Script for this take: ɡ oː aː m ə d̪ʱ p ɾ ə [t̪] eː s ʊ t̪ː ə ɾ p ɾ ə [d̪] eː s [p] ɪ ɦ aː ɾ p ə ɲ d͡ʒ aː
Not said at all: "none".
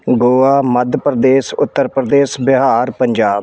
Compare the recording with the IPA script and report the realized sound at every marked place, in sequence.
d̪, d̪, b

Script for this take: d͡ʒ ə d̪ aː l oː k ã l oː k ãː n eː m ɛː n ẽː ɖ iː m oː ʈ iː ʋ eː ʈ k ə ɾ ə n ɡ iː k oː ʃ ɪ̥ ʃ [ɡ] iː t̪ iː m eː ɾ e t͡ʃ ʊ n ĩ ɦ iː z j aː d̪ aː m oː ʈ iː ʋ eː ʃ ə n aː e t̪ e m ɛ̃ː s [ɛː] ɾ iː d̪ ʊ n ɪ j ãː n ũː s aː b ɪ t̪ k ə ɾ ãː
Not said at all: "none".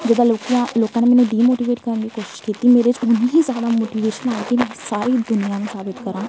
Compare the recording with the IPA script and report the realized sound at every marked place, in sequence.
k, aː

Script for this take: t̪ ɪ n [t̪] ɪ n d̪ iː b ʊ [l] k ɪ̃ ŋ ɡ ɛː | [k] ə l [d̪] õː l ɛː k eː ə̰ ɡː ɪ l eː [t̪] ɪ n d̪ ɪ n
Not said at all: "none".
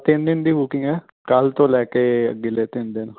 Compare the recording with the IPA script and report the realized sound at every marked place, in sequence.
d̪, none, k, t̪, t̪

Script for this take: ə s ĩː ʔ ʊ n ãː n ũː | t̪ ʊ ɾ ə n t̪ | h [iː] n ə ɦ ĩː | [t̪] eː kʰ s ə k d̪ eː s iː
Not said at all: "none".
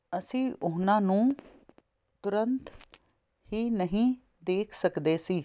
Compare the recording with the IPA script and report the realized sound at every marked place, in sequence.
iː, d̪

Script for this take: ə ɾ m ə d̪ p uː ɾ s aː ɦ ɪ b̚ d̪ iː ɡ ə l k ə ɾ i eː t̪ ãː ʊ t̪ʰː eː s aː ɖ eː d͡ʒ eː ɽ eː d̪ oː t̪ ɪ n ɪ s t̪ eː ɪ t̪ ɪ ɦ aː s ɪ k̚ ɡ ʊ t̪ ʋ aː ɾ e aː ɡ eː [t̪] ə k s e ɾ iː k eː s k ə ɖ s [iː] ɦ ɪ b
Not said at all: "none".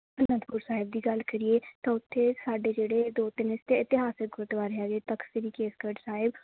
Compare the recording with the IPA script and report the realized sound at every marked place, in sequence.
t̪, aː

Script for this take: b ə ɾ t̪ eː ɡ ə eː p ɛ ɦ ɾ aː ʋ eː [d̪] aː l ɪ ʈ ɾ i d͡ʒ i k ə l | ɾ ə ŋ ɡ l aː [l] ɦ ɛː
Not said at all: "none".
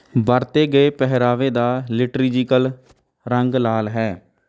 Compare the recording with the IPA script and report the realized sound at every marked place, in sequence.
d̪, l

